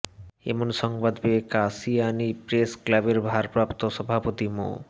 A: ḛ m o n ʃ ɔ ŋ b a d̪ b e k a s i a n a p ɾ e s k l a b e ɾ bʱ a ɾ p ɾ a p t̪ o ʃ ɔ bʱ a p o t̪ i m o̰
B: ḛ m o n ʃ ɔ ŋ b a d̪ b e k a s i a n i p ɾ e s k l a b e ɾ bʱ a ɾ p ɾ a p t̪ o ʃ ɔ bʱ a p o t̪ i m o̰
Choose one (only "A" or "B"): B